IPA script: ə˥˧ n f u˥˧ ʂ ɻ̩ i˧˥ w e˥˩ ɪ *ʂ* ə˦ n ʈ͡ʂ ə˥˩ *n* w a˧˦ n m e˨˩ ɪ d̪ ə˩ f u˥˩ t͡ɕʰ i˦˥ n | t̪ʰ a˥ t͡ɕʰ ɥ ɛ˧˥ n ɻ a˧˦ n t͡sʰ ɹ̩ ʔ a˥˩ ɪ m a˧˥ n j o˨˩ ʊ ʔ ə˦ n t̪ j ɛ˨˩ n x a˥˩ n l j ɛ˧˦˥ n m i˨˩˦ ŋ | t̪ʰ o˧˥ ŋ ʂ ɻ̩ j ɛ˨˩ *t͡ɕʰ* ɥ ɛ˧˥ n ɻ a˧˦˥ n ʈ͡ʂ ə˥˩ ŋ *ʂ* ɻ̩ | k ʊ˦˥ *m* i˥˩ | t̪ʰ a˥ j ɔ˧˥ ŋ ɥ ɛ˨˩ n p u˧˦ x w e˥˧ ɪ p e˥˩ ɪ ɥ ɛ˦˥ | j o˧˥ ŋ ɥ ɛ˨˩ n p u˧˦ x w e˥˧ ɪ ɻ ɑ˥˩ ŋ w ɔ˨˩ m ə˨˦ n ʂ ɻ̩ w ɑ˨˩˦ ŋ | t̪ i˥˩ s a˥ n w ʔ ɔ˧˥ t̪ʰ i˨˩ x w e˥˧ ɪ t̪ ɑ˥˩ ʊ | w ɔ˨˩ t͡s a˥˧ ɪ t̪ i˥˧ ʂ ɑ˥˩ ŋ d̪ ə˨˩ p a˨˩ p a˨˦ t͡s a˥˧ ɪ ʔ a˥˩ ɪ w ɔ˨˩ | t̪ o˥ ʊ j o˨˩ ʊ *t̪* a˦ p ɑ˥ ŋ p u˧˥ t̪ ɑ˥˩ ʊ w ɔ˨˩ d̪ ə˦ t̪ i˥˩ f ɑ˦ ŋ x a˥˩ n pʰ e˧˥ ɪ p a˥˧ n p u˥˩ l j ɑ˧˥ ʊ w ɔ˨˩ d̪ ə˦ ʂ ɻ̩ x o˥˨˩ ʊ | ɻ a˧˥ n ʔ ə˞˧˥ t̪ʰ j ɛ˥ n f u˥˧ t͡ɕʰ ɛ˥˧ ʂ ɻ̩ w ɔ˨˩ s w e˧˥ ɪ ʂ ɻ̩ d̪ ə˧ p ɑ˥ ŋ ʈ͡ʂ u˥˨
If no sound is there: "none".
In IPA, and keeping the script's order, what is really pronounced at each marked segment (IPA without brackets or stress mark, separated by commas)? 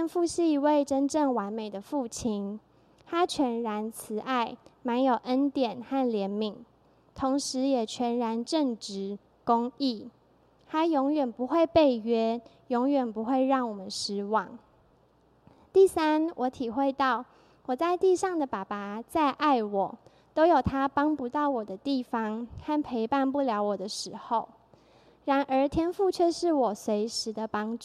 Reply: ʈ͡ʂ, ŋ, t͡ɕʰ, ʈ͡ʂ, ŋ, t̪ʰ